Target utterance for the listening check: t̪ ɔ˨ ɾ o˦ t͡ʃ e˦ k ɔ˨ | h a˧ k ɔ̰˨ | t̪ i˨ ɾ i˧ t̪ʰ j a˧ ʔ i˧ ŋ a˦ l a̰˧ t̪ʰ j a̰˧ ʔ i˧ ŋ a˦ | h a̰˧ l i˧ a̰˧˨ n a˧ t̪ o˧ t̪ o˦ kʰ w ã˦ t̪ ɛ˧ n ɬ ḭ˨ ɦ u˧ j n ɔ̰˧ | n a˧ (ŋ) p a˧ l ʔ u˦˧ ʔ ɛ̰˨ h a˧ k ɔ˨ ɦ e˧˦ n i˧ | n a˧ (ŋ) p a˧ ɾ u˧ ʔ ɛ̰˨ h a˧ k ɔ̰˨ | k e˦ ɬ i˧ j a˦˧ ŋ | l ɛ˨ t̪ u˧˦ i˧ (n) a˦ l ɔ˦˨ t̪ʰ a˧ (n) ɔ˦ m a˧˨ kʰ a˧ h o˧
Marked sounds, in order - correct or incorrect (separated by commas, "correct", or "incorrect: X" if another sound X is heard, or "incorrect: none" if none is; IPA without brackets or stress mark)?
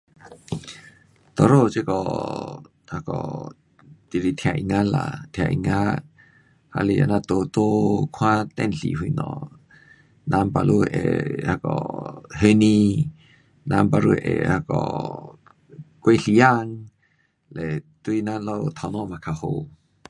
incorrect: m, incorrect: m, correct, correct